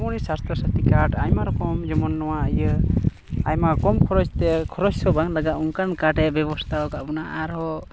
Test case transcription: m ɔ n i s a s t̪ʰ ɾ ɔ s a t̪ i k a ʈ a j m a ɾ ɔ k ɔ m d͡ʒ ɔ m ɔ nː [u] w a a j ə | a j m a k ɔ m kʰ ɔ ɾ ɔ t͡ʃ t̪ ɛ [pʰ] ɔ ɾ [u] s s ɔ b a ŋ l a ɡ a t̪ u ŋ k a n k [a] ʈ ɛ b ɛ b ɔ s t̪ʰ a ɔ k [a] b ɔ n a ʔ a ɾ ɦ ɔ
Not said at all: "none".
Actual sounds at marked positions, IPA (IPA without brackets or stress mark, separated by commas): ɔ, kʰ, ɔ, a, a